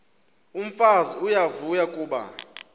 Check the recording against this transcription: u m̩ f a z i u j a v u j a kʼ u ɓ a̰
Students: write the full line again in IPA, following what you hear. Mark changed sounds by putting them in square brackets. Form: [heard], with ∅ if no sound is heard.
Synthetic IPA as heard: u m̩ f a z i u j a v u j a kʼ [uː] ɓ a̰